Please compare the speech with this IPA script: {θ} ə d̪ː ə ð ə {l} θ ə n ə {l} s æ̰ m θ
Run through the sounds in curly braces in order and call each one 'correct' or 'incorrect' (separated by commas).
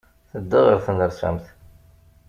correct, incorrect, incorrect